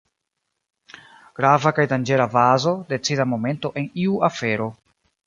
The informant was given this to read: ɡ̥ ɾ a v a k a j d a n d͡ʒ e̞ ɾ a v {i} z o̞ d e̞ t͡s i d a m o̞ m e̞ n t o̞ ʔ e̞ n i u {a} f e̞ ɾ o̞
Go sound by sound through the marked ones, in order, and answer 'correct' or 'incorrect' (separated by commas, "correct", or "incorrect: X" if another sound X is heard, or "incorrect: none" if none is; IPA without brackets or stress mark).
incorrect: a, correct